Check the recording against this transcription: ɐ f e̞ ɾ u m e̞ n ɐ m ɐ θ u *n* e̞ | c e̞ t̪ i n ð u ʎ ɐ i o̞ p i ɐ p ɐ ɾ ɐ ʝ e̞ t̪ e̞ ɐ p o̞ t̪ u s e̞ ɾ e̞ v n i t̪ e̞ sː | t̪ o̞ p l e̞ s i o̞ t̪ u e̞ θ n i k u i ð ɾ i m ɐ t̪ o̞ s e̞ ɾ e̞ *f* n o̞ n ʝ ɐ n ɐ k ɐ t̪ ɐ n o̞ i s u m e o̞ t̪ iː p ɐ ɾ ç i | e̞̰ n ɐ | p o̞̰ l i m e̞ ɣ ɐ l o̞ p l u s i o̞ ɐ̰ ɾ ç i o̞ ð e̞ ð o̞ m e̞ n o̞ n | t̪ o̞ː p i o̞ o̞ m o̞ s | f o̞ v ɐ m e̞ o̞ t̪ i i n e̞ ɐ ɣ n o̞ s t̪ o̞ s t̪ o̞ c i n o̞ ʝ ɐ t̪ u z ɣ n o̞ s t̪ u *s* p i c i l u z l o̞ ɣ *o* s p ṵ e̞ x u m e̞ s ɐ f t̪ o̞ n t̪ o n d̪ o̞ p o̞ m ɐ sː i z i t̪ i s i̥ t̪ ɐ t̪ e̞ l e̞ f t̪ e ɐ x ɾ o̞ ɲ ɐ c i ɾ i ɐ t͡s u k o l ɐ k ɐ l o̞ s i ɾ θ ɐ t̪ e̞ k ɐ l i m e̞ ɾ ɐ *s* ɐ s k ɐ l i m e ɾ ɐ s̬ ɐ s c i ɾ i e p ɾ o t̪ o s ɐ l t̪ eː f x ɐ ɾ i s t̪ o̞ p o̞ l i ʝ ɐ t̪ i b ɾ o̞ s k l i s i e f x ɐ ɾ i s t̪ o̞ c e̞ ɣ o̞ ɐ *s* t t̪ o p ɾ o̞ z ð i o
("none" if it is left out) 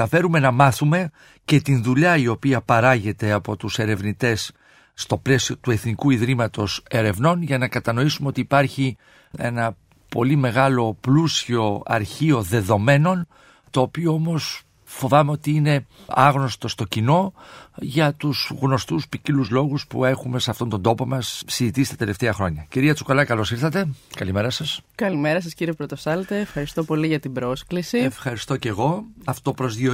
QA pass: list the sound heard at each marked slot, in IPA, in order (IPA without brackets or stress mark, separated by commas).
m, v, s, u, s, f